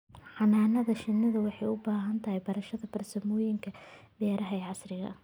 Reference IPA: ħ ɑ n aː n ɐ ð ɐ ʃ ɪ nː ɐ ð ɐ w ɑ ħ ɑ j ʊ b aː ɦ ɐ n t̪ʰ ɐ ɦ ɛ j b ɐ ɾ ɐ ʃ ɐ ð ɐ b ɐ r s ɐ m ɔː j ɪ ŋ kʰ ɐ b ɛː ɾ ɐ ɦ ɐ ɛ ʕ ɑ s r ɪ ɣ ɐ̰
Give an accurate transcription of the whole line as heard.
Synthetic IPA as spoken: ħ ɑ n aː n ɐ ð ɐ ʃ ɪ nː ɐ ð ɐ w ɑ ħ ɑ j ʊ b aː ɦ ɐ n t̪ʰ ɐ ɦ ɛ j b ɐ ɾ ɐ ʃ ɐ ð ɐ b ɐ r s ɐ m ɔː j ɪ ŋ kʰ ɐ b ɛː ɾ ɐ ɦ ɐ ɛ ʕ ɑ s r ɪ ɣ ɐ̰